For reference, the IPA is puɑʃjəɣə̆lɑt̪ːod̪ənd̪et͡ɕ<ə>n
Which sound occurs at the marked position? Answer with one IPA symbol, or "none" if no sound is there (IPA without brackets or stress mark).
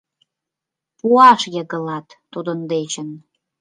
ə